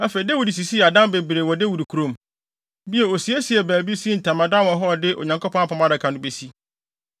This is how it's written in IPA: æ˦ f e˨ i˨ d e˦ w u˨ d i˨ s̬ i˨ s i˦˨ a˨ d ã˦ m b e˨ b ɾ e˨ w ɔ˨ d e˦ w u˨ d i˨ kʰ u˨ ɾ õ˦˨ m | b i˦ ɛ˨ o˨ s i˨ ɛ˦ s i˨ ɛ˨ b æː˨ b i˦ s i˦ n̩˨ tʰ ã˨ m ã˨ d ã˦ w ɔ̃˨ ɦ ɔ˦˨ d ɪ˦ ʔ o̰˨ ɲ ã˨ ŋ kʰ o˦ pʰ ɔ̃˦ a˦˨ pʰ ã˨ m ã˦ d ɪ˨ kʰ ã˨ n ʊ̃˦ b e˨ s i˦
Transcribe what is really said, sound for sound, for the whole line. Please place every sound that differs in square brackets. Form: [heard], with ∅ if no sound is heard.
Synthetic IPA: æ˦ f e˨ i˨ d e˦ w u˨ d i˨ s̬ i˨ s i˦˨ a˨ d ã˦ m b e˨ b ɾ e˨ w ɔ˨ d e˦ w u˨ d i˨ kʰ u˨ ɾ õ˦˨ m | b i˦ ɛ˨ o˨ s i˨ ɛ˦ s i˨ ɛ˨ b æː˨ b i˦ s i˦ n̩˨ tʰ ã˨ m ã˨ d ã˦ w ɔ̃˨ ɦ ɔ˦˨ d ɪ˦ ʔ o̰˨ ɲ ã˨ ŋ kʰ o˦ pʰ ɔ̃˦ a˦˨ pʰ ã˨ m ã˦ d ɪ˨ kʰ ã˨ n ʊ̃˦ b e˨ s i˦